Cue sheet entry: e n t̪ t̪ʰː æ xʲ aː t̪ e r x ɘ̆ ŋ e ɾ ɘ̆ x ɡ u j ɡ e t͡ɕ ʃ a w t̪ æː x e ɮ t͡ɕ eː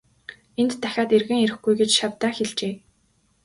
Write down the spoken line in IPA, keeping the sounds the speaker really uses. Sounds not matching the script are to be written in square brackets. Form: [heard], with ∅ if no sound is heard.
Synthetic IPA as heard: e n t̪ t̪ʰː æ xʲ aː t̪ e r [ɣ] ɘ̆ ŋ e ɾ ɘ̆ x ɡ u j ɡ e t͡ɕ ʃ a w t̪ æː x e ɮ t͡ɕ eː